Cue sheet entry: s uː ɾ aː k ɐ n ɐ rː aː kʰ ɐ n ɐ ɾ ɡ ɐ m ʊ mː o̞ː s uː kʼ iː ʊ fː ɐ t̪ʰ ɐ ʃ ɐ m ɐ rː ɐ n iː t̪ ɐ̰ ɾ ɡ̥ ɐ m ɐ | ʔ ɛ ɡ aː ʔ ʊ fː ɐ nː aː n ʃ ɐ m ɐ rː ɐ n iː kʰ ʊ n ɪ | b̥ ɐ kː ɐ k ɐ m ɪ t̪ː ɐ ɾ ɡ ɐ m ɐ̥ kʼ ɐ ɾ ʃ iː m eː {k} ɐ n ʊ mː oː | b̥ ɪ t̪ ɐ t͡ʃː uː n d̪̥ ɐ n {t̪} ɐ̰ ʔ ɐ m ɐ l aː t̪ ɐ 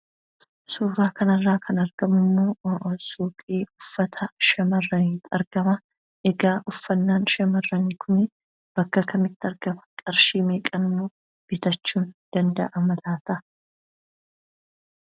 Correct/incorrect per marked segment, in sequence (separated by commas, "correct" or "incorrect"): incorrect, incorrect